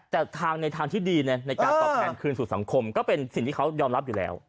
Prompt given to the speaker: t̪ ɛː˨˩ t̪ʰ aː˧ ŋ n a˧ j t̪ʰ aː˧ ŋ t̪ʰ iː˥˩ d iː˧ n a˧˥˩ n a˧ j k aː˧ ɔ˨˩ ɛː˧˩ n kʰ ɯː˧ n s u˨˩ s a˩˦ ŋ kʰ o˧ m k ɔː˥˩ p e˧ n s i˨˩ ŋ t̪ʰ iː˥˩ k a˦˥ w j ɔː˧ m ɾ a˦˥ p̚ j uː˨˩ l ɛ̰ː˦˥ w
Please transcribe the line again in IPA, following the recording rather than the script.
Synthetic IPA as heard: t̪ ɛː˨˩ t̪ʰ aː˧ ŋ n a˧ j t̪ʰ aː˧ ŋ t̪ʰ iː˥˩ d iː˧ n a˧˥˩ n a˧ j k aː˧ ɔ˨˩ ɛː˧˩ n kʰ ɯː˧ n s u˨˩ s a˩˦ ŋ kʰ o˧ m k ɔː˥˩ p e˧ n s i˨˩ ŋ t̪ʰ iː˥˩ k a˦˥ w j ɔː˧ m ɾ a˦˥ p̚ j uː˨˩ l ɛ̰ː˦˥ w